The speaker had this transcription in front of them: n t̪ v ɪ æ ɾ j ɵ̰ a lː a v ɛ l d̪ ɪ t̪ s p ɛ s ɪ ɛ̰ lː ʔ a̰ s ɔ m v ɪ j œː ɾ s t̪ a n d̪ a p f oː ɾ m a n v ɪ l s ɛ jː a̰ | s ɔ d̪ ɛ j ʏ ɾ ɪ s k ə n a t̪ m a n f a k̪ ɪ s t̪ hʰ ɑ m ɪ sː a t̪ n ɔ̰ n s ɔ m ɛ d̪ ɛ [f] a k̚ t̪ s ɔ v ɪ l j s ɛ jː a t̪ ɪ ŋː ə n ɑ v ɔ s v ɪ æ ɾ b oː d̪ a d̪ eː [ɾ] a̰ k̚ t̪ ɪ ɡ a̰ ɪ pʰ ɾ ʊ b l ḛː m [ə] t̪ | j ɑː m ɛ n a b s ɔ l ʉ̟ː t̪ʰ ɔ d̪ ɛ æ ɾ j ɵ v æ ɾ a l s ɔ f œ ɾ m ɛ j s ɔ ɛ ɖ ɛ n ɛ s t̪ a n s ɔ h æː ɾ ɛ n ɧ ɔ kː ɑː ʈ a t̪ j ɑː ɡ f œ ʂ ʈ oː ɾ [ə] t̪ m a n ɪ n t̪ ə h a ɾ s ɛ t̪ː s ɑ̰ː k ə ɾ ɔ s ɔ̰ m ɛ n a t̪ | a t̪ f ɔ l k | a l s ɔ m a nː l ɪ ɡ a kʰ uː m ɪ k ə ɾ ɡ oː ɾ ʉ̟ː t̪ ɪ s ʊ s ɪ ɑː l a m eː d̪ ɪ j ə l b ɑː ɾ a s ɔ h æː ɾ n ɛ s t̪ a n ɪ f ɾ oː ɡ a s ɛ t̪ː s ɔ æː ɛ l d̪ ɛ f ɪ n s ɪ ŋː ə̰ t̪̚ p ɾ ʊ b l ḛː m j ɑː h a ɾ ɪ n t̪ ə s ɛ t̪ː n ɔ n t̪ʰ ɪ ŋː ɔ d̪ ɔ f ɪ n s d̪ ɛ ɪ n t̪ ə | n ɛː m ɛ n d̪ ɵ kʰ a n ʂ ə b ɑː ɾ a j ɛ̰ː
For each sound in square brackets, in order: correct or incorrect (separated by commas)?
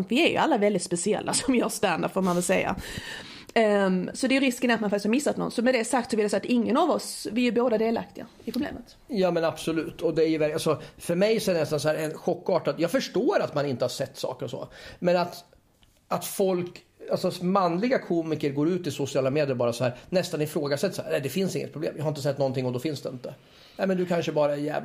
incorrect, incorrect, correct, incorrect